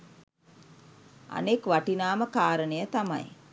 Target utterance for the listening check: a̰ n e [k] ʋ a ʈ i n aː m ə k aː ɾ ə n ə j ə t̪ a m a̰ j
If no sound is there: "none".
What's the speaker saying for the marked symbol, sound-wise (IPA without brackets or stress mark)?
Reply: k